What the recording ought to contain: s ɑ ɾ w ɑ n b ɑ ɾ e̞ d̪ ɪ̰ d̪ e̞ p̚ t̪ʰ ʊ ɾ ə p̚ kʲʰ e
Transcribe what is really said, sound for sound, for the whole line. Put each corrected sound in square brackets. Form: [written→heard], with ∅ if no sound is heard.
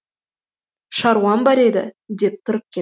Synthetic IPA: [s→ʃ] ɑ ɾ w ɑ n b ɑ ɾ e̞ d̪ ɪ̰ d̪ e̞ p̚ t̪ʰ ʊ ɾ ə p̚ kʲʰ e